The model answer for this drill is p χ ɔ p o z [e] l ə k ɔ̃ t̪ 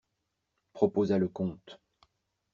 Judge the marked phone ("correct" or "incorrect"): incorrect